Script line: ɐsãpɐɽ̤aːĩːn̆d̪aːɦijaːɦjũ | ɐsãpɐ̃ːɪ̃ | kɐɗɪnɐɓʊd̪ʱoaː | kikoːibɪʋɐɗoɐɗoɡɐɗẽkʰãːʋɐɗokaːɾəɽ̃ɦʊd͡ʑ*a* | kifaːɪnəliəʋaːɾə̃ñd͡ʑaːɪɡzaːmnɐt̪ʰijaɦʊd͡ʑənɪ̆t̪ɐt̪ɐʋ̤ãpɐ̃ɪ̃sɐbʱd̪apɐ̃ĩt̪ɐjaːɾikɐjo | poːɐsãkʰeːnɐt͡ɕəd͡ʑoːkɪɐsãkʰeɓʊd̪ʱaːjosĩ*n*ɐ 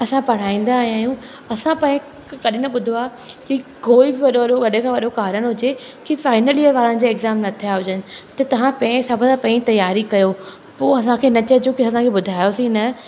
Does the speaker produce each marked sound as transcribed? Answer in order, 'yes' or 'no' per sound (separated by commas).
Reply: no, yes